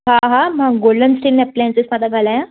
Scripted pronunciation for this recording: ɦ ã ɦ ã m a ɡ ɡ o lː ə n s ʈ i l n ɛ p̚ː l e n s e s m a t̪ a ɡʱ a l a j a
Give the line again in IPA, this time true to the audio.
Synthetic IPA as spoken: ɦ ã ɦ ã m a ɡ ɡ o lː ə n s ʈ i l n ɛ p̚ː l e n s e s m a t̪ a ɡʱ a l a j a